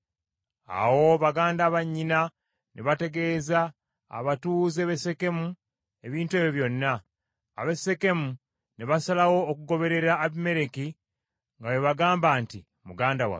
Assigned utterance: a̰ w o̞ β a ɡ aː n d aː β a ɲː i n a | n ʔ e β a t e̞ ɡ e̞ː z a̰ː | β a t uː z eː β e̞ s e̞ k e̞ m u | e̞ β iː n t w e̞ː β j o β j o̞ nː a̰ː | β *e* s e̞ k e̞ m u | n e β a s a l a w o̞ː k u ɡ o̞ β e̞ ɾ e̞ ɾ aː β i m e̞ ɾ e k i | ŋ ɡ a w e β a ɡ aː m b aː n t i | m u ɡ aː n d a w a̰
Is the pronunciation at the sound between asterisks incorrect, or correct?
correct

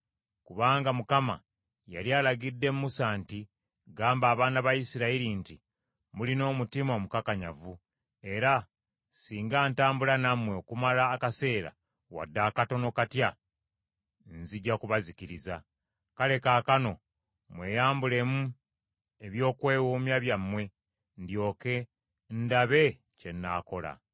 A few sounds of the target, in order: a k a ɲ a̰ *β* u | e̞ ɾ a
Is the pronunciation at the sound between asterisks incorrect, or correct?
incorrect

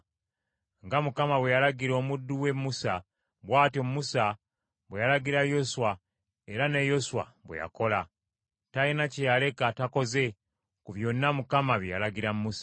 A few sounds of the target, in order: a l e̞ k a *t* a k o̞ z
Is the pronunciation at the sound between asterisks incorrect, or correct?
correct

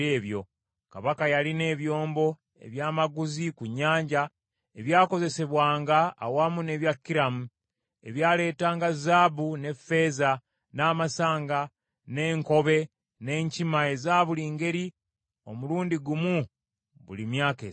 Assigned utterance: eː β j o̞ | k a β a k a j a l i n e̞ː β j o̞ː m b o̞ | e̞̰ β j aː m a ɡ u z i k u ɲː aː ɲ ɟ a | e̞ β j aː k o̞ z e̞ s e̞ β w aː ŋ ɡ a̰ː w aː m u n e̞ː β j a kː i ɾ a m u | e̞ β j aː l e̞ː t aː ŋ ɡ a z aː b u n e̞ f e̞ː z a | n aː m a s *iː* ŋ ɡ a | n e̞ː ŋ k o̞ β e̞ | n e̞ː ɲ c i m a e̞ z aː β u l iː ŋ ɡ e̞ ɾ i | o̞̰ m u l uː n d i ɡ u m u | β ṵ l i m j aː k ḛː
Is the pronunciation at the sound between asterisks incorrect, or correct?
incorrect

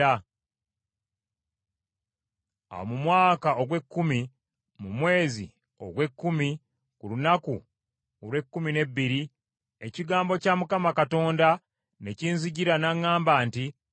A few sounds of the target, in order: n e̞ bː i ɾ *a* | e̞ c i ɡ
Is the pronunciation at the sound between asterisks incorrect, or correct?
incorrect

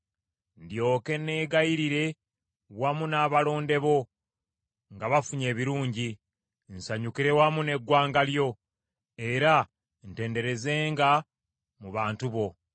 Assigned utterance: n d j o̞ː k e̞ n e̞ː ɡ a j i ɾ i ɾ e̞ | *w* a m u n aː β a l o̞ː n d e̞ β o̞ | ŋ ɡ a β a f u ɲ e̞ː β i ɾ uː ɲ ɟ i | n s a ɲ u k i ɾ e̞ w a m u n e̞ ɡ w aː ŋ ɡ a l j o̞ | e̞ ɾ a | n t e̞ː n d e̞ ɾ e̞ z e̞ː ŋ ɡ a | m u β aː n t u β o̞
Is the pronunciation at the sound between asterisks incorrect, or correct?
correct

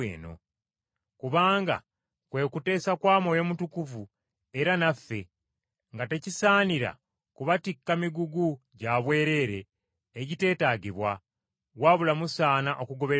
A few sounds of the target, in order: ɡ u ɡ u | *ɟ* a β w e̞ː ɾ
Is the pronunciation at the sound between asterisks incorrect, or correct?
correct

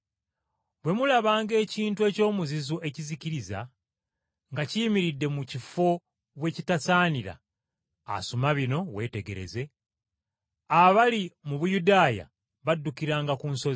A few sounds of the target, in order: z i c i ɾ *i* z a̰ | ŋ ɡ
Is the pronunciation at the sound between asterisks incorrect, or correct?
correct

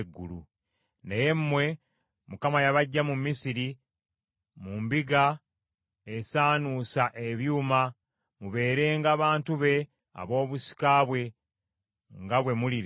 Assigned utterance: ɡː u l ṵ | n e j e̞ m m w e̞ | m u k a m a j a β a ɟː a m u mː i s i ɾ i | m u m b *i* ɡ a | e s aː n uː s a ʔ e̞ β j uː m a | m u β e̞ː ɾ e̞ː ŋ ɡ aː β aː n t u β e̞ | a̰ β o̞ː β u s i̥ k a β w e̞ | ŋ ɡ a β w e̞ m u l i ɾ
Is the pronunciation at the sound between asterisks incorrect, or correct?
correct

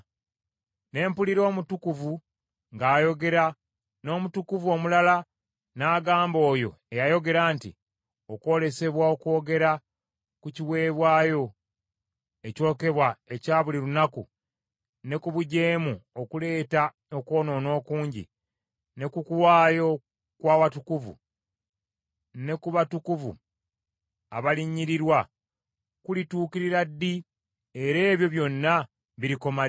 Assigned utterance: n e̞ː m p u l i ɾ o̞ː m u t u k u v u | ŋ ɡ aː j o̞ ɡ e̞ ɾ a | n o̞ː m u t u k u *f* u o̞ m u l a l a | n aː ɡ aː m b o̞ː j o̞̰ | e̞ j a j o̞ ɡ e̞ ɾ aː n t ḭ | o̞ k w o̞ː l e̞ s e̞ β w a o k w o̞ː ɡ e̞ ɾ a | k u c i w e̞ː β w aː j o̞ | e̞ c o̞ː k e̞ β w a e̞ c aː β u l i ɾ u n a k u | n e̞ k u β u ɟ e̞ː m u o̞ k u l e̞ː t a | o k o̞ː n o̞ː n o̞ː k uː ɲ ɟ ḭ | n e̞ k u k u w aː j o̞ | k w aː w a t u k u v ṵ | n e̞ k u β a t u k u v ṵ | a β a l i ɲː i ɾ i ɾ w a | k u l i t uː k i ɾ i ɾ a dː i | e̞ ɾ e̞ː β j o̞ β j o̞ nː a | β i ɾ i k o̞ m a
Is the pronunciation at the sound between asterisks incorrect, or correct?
incorrect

